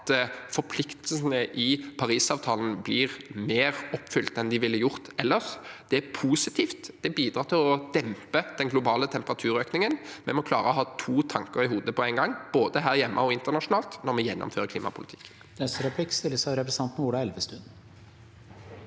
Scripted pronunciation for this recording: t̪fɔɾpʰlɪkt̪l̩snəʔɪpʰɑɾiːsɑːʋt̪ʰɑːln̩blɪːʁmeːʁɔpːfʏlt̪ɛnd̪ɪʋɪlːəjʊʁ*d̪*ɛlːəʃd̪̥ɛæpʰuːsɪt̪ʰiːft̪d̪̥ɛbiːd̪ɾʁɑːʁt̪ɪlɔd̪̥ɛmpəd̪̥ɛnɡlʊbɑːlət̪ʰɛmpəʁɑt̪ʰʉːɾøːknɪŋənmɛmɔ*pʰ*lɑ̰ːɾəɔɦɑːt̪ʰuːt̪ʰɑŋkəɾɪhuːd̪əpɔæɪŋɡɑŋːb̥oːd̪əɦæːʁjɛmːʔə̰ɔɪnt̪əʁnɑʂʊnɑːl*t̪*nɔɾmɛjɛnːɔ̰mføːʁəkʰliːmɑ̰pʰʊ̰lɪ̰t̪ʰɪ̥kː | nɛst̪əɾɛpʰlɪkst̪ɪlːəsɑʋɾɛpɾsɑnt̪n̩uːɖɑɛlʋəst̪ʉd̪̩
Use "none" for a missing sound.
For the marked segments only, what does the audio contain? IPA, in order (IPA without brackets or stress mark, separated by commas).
t̪, kʰ, t̪